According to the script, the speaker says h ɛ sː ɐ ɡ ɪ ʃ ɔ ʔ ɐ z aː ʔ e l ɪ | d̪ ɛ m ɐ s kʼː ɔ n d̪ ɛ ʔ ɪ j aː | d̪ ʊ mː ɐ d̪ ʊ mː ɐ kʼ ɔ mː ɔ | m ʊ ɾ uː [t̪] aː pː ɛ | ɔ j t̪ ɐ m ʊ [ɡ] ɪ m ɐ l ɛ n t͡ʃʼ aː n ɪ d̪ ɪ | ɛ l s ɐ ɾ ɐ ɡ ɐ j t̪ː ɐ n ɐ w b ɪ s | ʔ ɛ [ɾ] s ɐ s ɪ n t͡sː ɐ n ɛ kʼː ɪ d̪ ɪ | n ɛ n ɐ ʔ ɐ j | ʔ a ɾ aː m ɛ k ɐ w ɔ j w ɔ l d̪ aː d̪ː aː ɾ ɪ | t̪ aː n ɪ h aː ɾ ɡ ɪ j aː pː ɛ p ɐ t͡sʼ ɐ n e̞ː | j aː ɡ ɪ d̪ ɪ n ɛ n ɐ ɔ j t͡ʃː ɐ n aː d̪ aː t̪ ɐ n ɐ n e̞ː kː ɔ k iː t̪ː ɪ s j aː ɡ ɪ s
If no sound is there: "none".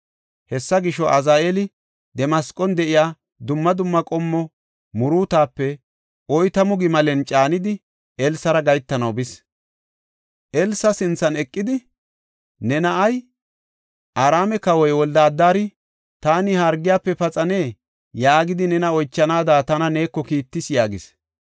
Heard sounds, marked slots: t̪, ɡ, l

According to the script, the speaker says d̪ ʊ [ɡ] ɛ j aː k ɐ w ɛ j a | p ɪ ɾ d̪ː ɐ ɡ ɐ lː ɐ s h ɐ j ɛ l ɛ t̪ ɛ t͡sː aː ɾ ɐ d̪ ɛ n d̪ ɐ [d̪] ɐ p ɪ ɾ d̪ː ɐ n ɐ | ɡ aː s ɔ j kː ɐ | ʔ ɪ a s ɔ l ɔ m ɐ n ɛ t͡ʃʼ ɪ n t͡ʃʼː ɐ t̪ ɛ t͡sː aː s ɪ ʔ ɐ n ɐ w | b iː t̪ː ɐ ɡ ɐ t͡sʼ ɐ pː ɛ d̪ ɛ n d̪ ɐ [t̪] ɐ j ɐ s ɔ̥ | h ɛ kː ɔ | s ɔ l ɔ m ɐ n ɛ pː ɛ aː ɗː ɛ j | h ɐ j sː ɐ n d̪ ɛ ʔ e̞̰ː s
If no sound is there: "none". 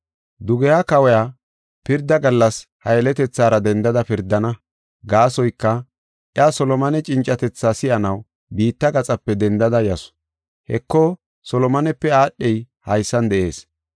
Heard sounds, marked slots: ɡ, d̪, d̪

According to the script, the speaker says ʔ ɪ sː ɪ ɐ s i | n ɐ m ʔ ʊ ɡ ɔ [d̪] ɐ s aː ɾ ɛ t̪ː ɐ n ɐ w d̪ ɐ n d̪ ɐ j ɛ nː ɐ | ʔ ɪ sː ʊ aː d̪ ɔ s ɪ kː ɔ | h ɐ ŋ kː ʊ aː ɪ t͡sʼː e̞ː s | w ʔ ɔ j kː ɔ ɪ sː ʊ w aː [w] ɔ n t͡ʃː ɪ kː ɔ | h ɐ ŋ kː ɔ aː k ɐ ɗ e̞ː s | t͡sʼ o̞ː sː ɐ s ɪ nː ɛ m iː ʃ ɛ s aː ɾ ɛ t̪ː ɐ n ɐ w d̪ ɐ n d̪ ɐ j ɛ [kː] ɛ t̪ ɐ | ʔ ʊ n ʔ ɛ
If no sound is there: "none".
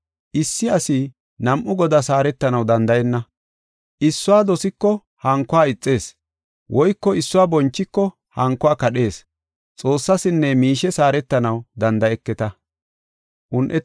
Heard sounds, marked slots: d̪, b, kː

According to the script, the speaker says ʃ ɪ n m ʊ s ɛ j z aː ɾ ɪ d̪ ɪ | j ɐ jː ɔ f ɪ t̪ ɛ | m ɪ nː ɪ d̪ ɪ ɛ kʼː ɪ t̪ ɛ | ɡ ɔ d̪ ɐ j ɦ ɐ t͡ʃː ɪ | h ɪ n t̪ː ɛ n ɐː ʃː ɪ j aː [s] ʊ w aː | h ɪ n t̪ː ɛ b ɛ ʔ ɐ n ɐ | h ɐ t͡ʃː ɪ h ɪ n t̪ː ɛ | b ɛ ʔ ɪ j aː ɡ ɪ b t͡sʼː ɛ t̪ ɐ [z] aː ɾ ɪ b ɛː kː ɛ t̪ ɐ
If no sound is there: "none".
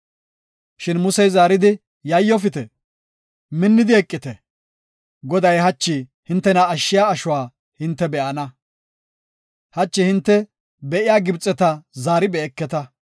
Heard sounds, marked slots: ʃ, z

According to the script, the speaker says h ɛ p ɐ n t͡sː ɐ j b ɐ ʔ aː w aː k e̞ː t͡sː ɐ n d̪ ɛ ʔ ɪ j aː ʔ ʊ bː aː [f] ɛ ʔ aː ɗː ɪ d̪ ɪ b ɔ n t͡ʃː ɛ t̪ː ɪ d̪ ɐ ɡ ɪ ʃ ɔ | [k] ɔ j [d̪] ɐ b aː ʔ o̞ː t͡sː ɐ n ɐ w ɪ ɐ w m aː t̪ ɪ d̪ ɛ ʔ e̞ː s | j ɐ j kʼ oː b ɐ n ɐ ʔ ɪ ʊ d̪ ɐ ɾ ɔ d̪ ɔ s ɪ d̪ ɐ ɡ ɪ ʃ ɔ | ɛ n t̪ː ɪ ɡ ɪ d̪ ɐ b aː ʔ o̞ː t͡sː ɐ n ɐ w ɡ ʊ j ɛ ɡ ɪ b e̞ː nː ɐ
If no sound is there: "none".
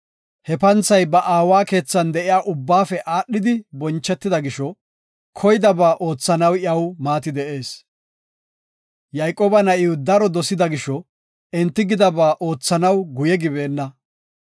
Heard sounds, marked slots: f, kʰ, d̪

